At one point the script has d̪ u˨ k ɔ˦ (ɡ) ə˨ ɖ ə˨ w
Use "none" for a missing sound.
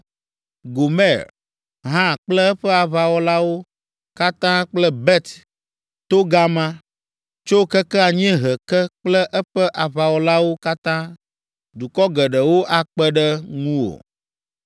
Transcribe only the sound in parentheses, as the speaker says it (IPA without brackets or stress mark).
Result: ɡ